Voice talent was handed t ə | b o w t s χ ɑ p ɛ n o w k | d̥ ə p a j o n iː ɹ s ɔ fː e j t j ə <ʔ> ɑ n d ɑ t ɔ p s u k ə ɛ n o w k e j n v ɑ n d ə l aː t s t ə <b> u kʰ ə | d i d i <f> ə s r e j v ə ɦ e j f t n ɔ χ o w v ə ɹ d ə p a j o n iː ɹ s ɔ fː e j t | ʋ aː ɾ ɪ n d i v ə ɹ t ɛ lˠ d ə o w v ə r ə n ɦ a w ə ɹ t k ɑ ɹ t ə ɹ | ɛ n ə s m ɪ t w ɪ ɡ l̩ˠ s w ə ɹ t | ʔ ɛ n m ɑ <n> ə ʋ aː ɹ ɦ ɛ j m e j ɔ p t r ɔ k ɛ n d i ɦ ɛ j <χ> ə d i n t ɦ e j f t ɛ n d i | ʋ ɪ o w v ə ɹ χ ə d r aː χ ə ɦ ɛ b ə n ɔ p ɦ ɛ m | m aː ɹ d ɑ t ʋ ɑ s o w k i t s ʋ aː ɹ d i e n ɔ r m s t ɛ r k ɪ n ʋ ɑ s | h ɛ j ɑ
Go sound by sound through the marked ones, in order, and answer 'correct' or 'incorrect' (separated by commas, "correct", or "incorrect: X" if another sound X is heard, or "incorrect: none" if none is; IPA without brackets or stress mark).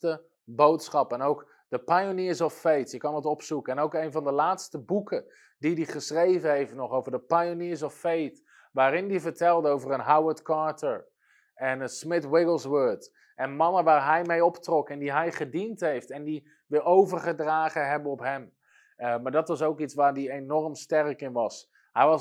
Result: incorrect: k, correct, incorrect: χ, correct, correct